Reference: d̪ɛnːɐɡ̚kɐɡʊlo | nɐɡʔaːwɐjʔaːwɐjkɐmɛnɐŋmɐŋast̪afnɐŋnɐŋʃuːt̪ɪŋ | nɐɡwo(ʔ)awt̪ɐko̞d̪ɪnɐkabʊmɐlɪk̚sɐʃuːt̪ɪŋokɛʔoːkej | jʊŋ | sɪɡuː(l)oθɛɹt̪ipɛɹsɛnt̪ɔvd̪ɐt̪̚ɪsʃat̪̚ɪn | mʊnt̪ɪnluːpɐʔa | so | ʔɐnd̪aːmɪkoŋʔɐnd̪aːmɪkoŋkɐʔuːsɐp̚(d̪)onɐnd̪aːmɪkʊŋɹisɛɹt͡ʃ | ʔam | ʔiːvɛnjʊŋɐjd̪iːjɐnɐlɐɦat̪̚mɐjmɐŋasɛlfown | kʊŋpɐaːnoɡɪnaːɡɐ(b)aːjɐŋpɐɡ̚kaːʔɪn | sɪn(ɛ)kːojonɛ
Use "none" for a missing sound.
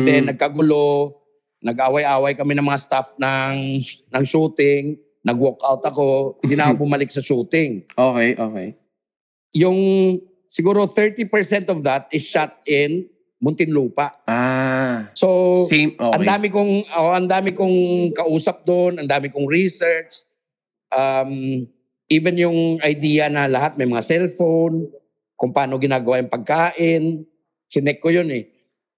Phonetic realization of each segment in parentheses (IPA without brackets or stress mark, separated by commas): k, ɾ, d̪, w, ɛ